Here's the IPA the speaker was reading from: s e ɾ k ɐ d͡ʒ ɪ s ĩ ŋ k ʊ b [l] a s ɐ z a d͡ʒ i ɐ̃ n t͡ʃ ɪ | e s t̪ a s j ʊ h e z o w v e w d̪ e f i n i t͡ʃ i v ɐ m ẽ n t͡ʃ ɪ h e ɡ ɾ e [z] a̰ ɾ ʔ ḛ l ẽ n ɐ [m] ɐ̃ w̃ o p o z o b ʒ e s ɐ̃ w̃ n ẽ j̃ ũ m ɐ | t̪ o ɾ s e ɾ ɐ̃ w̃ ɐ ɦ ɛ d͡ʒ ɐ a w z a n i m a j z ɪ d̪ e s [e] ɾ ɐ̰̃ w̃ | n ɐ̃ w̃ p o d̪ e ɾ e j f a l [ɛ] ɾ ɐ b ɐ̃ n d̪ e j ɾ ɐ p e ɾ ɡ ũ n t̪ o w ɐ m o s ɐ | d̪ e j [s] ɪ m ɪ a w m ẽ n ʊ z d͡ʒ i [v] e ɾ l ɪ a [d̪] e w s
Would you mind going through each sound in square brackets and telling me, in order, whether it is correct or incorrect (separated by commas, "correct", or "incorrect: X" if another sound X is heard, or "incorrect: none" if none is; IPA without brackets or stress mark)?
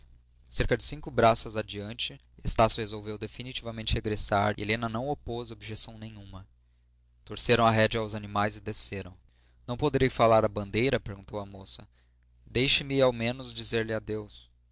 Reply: incorrect: ɾ, incorrect: s, incorrect: n, correct, incorrect: a, incorrect: ʃ, incorrect: z, correct